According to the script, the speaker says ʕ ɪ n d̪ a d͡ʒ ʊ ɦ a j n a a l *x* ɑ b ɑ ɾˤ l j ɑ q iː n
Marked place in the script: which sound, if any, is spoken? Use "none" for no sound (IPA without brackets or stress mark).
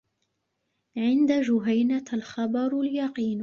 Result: x